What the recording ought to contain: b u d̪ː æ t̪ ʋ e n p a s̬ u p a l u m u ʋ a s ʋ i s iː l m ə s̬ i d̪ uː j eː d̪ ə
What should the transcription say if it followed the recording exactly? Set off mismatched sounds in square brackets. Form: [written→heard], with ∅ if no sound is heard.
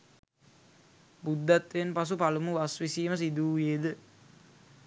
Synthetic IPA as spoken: b u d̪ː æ t̪ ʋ e n p a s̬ u p a l u m u ʋ a s ʋ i s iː [l→∅] m ə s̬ i d̪ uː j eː d̪ ə